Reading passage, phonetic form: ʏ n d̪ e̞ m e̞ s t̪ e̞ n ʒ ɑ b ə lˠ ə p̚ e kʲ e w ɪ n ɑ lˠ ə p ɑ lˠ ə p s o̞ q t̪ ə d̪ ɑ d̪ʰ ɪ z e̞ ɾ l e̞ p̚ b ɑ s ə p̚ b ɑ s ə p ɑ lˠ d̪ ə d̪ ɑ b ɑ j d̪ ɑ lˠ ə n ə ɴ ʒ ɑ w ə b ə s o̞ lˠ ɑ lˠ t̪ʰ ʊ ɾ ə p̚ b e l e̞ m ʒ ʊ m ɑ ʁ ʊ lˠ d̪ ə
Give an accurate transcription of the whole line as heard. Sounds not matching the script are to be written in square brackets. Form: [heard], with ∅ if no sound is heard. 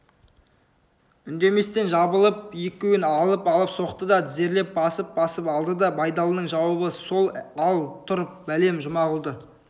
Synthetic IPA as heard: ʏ n d̪ e̞ m e̞ s t̪ e̞ n ʒ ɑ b ə lˠ ə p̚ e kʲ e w ɪ n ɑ lˠ ə p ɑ lˠ ə p s o̞ q t̪ ə d̪ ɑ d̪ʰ ɪ z e̞ ɾ l e̞ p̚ b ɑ s ə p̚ b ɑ s ə p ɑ lˠ d̪ ə d̪ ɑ b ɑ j d̪ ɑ lˠ ə n ə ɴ ʒ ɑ w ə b ə s o̞ lˠ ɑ lˠ t̪ʰ ʊ ɾ ə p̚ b [æ] l e̞ m ʒ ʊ m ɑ ʁ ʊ lˠ d̪ ə

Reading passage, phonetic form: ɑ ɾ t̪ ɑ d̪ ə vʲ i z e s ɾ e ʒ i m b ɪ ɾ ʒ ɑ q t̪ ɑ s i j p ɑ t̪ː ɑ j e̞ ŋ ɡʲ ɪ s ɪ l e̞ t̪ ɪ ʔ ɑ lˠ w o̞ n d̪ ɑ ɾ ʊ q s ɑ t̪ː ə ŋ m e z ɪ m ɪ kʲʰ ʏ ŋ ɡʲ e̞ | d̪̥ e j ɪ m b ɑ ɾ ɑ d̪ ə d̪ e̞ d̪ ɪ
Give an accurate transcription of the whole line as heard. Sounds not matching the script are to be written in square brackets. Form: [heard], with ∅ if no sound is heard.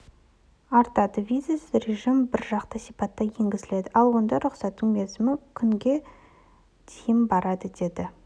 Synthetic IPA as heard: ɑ ɾ t̪ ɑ d̪ ə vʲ i z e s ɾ e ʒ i m b ɪ ɾ ʒ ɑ q t̪ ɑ s i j p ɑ t̪ː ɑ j e̞ ŋ ɡʲ ɪ [z] ɪ l e̞ [d̪] ɪ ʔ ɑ lˠ w o̞ n d̪ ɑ ɾ ʊ q s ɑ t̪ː ə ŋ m e z ɪ m ɪ kʲʰ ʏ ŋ ɡʲ e̞ | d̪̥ e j ɪ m b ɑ ɾ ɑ d̪ ə d̪ e̞ d̪ ɪ

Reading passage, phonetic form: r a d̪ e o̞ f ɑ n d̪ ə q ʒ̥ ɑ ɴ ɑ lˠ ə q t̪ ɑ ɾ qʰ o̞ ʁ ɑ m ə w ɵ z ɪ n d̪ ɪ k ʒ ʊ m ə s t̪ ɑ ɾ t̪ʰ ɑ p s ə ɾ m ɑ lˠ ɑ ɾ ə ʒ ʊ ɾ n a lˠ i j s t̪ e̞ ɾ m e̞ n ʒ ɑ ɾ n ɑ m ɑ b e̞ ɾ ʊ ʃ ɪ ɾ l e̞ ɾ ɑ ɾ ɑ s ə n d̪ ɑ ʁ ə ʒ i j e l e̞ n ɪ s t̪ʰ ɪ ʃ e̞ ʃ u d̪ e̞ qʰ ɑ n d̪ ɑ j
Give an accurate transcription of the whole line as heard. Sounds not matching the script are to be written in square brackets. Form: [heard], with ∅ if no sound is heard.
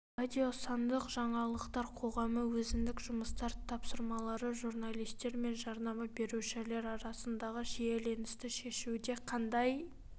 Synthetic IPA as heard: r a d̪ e o̞ [s] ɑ n d̪ ə q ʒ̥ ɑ ɴ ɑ lˠ ə q t̪ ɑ ɾ qʰ o̞ ʁ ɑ m ə w ɵ z ɪ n d̪ ɪ k ʒ ʊ m ə s t̪ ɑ ɾ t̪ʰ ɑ p s ə ɾ m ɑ lˠ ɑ ɾ ə ʒ [u] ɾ n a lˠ i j s t̪ e̞ ɾ m e̞ n ʒ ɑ ɾ n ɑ m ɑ b e̞ ɾ [u] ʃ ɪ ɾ l e̞ ɾ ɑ ɾ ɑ s ə n d̪ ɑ ʁ ə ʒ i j e l e̞ n ɪ s [t̪] ɪ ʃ e̞ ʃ u d̪ e̞ qʰ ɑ n d̪ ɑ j

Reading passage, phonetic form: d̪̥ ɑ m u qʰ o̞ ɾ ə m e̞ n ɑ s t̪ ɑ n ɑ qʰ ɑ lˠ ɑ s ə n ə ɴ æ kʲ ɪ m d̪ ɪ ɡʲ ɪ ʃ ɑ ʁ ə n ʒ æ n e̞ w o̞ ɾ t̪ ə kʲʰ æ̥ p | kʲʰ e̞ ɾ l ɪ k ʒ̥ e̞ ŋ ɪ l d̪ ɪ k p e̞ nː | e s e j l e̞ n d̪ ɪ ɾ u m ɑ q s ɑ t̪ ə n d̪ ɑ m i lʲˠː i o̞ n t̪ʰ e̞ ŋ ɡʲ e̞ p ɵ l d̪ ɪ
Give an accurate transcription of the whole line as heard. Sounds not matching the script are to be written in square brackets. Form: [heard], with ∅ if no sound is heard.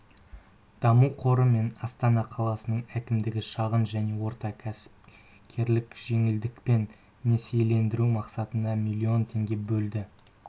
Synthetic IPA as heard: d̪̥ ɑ m u qʰ o̞ ɾ ə m e̞ n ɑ s t̪ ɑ n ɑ qʰ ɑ lˠ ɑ s ə n ə ɴ æ kʲ ɪ m d̪ ɪ ɡʲ ɪ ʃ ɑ ʁ ə n ʒ æ n e̞ w o̞ ɾ t̪ [ɑ] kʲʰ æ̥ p | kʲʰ e̞ ɾ l ɪ k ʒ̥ e̞ ŋ ɪ l d̪ ɪ k p e̞ nː | e s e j l e̞ n d̪ ɪ ɾ u m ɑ q s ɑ t̪ ə n d̪ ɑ m i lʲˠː i o̞ n t̪ʰ e̞ ŋ ɡʲ e̞ [b] ɵ l d̪ ɪ

